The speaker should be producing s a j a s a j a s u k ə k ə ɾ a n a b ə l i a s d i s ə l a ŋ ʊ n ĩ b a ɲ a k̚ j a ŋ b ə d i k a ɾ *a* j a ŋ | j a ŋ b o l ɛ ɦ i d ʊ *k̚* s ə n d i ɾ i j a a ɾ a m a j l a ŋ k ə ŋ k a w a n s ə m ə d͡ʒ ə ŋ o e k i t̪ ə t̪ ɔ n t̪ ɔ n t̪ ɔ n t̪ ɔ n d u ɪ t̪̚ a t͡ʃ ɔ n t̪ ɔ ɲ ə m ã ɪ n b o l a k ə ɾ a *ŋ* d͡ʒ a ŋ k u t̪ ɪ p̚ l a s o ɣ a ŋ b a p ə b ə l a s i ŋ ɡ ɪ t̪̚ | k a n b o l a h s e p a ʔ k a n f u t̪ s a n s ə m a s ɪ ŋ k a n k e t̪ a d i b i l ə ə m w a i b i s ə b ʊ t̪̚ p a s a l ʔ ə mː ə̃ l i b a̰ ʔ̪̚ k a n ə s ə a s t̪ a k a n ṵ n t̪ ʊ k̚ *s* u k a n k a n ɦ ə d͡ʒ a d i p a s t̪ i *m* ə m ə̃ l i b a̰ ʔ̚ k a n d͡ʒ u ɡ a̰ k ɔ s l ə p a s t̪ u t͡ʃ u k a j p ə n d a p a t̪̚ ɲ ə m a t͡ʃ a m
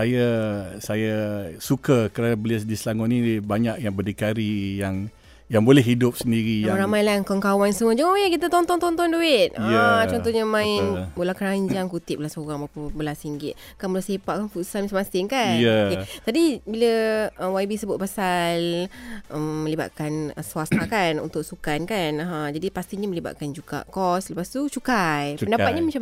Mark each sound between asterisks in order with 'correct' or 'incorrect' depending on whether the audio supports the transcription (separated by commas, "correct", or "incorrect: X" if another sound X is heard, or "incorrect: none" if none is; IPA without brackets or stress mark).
incorrect: i, incorrect: p̚, incorrect: ɲ, correct, incorrect: ɲ